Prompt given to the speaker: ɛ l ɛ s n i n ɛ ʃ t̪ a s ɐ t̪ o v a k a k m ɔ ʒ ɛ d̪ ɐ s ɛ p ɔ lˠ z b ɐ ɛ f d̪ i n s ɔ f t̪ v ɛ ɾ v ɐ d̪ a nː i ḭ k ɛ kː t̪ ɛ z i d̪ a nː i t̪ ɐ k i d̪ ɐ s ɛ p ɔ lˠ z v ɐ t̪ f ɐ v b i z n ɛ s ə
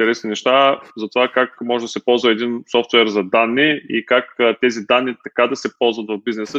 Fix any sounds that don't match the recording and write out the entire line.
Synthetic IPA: ɛ ɾ ɛ s n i n ɛ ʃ t̪ a z ɐ t̪ o v a k a k m ɔ ʒ ɛ d̪ ɐ s ɛ p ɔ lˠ z v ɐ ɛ d̪ i n s ɔ f t̪ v ɛ ɾ z ɐ d̪ a nː i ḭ k a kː t̪ ɛ z i d̪ a nː i t̪ ɐ k a d̪ ɐ s ɛ p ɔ lˠ z v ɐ t̪ v ɐ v b i z n ɛ s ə